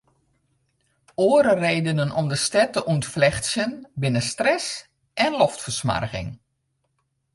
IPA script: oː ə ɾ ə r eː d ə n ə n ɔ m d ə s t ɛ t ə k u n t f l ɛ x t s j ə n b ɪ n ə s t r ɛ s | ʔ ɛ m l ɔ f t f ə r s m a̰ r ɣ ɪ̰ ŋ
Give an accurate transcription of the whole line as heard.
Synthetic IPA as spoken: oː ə ɾ ə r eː d ə n ə n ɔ m d ə s t ɛ t ə ʔ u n t f l ɛ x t s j ə n b ɪ n ə s t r ɛ s | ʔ ɛ n l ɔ f t f ə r s m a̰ r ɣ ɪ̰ ŋ